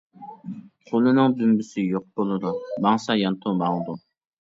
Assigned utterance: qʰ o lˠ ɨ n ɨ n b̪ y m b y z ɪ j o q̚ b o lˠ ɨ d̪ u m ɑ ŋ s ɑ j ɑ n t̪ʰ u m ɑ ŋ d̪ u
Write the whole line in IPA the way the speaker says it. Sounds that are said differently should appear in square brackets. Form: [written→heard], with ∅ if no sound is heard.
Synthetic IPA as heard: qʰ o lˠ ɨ n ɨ [n→ŋ] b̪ y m b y [z→s] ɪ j o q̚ b o lˠ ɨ d̪ u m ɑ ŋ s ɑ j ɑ n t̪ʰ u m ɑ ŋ d̪ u